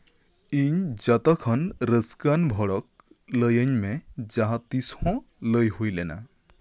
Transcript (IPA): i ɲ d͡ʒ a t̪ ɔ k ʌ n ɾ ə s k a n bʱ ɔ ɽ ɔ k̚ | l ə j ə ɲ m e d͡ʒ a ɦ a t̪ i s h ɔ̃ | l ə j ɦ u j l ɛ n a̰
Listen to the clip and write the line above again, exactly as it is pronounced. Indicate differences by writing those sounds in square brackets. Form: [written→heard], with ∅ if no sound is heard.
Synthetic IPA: i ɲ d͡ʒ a t̪ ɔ [k→kʰ] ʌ n ɾ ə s k a n bʱ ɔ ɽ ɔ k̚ | l ə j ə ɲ m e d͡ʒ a ɦ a t̪ i s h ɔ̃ | l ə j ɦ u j l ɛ n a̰